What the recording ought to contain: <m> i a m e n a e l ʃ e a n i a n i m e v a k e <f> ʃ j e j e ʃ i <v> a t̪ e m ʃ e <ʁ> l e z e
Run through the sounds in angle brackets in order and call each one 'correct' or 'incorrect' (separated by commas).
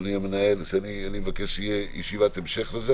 incorrect, incorrect, correct, incorrect